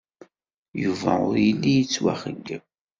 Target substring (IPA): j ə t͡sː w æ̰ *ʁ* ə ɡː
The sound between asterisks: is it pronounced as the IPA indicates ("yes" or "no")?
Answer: no